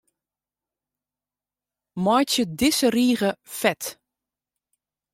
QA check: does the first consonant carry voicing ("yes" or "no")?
yes